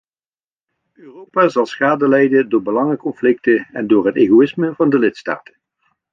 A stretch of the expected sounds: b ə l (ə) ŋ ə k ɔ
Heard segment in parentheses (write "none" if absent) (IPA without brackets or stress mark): ɑ